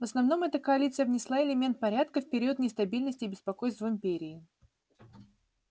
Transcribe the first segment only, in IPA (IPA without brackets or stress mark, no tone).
v